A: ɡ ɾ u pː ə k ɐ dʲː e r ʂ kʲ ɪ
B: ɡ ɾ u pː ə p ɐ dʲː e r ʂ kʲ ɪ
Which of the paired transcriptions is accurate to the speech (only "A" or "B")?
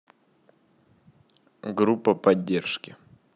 B